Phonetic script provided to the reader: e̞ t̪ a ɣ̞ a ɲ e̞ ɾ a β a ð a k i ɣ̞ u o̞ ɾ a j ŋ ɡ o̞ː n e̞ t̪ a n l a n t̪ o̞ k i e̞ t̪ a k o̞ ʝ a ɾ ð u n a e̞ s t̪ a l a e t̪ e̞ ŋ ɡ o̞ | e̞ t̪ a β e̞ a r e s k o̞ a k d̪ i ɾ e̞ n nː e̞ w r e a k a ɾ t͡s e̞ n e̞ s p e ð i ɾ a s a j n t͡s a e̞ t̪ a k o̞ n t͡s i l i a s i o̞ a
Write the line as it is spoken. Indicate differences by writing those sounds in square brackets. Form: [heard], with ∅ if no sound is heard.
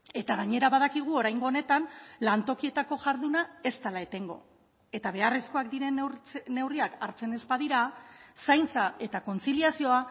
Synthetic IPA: e̞ t̪ a ɣ̞ a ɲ e̞ ɾ a β a ð a k i ɣ̞ u o̞ ɾ a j ŋ ɡ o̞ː n e̞ t̪ a n l a n t̪ o̞ k i e̞ t̪ a k o̞ ʝ a ɾ ð u n a e̞ s t̪ a l a e t̪ e̞ ŋ ɡ o̞ | e̞ t̪ a β e̞ a r e s k o̞ a k d̪ i ɾ e̞ n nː e̞ w r [i] a k a ɾ t͡s e̞ n e̞ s p [a] ð i ɾ a s a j n t͡s a e̞ t̪ a k o̞ n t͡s i l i a s i o̞ a